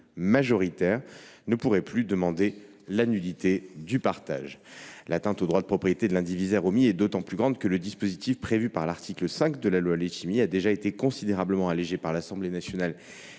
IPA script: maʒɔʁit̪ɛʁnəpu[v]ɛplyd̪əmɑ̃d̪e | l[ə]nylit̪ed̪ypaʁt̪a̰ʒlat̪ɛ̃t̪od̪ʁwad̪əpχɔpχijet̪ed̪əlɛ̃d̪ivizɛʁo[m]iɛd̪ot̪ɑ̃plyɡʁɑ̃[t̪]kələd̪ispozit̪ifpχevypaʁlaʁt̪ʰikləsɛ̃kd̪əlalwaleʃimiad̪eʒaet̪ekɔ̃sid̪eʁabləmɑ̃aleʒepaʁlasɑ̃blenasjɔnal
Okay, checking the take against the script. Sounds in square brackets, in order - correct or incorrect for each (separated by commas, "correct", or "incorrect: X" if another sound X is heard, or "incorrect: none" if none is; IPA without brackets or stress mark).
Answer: incorrect: ʁ, incorrect: a, correct, incorrect: d̪